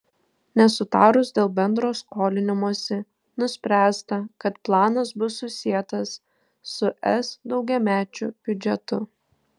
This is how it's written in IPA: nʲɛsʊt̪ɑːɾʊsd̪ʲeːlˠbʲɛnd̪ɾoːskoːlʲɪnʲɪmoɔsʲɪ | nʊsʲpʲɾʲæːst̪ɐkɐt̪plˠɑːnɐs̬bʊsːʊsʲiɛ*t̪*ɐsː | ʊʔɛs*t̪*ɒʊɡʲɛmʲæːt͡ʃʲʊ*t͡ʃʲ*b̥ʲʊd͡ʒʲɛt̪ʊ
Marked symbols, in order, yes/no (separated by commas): yes, no, no